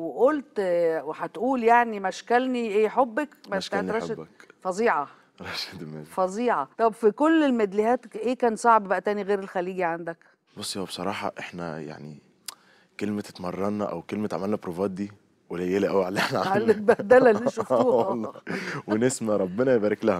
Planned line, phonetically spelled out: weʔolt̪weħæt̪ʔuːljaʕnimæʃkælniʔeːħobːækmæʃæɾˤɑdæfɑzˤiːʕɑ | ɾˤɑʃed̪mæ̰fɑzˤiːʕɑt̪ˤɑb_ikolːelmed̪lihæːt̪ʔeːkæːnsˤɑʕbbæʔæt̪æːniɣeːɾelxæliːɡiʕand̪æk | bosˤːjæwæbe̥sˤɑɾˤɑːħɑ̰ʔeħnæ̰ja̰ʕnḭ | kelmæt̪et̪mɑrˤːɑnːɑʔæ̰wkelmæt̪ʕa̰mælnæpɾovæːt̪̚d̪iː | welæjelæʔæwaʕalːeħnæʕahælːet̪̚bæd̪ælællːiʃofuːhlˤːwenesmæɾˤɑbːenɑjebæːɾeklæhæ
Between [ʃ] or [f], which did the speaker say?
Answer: f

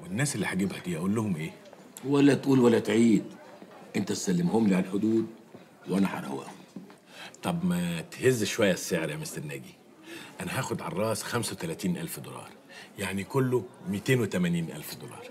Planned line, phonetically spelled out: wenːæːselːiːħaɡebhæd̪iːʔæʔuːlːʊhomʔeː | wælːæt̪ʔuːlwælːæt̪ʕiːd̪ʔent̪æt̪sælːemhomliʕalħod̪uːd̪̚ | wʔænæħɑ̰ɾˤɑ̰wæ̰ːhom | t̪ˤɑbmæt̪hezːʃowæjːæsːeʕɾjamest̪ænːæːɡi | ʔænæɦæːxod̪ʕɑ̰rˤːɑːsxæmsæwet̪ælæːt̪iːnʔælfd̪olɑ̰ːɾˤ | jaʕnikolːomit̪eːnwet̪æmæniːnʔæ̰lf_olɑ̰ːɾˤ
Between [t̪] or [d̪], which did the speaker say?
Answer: d̪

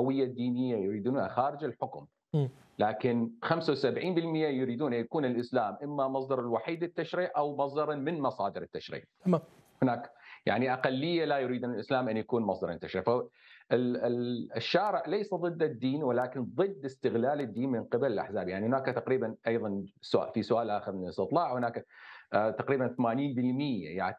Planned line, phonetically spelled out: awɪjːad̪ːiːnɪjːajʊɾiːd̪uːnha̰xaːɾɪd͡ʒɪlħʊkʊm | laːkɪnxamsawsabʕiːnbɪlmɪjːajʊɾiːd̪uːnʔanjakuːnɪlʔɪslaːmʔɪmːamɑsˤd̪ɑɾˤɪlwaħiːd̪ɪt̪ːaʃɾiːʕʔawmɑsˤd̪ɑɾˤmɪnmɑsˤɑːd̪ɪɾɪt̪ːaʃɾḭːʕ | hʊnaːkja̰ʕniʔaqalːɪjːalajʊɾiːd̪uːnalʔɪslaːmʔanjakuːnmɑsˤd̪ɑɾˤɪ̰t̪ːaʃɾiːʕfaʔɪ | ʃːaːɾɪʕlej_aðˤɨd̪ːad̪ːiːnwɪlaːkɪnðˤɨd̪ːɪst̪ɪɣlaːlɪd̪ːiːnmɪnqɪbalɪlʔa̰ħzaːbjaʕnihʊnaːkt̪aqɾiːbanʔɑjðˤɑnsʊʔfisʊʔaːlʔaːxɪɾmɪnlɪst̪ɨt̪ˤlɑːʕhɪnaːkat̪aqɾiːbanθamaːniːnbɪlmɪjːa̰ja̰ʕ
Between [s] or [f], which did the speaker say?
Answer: s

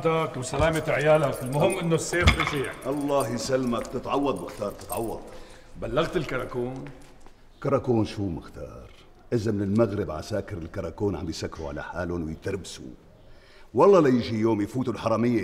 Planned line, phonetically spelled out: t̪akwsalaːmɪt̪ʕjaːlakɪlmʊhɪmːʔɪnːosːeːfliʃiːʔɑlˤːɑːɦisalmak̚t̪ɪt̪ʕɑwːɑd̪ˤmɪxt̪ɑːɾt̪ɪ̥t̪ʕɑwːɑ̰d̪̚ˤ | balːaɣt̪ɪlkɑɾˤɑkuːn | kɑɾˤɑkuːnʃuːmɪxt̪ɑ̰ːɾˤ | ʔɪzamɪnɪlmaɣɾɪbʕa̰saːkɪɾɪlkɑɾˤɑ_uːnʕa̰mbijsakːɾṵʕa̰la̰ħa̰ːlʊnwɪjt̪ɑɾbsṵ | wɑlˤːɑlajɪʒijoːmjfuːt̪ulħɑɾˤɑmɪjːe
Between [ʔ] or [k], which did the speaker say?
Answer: k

